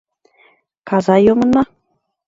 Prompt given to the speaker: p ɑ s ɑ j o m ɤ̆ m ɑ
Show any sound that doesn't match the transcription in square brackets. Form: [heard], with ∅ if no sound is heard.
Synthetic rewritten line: [k] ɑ [z] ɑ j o m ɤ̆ [n] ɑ